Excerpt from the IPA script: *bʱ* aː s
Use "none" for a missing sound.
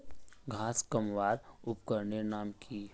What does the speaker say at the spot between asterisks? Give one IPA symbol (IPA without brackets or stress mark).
ɡʱ